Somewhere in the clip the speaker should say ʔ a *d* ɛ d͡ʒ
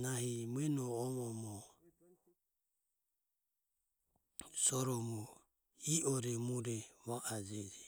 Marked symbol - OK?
no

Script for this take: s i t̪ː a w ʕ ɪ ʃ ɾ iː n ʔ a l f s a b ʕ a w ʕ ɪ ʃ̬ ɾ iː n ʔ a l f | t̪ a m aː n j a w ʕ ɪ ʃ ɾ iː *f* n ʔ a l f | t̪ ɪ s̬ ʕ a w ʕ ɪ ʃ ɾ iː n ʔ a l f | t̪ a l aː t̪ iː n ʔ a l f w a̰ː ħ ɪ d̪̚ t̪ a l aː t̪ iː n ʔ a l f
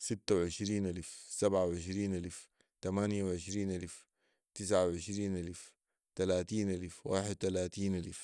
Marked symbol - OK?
no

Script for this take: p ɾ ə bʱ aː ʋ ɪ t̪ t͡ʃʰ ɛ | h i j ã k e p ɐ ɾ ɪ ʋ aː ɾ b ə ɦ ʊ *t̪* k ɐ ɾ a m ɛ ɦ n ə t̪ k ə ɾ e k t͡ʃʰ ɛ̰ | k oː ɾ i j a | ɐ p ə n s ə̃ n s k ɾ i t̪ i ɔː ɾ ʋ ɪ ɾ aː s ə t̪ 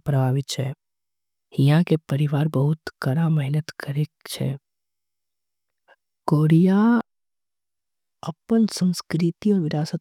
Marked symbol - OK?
yes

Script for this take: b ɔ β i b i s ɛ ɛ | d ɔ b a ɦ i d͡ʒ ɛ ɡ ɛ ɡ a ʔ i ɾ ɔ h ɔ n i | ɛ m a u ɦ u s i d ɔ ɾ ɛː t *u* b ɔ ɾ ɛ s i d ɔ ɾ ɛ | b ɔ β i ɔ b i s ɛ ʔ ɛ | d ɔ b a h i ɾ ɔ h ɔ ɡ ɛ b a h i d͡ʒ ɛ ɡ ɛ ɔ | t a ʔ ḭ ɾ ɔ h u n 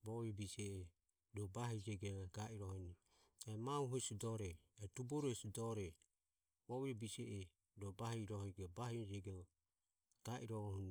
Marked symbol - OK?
yes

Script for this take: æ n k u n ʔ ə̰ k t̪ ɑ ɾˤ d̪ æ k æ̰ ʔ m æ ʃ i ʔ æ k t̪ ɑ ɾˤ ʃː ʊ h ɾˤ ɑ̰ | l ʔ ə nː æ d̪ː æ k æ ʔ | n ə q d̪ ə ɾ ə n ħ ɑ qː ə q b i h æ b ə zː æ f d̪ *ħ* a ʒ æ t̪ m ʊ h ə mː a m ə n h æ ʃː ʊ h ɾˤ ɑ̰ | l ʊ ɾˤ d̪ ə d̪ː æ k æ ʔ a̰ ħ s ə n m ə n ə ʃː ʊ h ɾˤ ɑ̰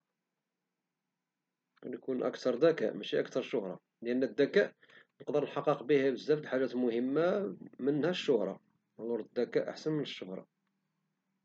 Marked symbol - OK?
yes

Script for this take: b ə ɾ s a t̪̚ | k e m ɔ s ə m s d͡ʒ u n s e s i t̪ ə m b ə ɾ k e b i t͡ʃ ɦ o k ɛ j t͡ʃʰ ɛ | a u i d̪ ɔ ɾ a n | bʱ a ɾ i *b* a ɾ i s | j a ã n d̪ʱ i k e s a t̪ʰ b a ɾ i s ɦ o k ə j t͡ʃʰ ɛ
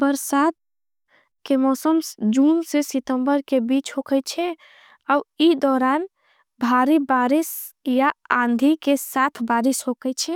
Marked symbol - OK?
yes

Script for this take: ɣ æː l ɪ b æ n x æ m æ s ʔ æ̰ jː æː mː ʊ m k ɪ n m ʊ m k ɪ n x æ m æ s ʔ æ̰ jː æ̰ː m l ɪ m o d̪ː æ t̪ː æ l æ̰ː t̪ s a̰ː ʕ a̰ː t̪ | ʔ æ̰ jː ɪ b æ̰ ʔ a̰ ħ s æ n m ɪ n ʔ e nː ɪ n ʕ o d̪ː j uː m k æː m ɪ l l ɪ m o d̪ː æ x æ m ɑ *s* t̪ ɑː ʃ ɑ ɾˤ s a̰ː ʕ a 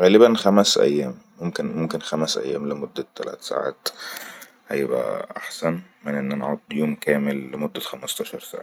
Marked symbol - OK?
yes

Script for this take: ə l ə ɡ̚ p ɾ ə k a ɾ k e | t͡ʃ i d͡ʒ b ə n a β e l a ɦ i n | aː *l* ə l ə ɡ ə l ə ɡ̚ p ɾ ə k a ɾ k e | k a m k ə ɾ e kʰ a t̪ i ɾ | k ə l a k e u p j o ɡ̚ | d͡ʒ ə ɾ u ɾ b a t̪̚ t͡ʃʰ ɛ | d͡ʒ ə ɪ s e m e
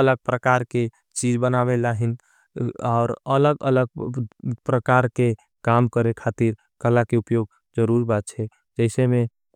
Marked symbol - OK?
no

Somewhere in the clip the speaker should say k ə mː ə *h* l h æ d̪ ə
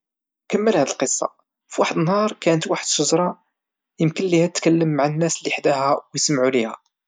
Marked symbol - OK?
no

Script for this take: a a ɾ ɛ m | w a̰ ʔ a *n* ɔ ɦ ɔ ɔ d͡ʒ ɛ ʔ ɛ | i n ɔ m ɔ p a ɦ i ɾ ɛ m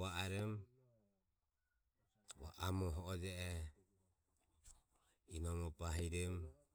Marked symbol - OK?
no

